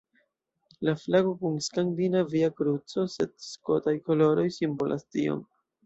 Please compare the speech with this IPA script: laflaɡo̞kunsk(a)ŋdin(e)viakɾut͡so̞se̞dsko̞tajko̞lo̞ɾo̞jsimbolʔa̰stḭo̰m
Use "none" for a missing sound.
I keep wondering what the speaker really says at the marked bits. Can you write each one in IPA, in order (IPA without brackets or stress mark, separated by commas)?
a, a